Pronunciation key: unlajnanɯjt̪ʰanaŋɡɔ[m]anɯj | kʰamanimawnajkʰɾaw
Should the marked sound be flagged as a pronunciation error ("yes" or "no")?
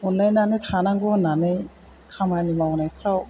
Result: yes